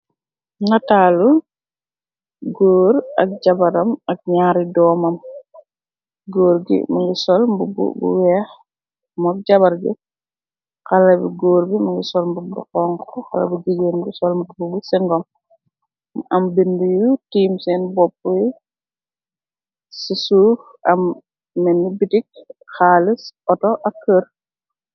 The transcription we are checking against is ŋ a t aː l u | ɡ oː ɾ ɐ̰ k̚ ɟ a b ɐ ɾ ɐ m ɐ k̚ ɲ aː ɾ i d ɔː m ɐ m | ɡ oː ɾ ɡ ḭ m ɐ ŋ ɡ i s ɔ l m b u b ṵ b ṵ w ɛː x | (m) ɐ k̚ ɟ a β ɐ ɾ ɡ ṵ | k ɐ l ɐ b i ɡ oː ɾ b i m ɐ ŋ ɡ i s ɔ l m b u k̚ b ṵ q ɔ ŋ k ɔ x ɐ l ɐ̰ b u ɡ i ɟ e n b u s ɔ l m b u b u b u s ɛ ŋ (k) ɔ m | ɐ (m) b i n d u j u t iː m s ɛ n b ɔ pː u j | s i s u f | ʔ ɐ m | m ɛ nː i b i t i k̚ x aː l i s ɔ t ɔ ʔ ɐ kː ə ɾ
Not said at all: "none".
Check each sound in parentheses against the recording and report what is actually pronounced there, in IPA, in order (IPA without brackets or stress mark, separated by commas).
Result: m, ɡ, m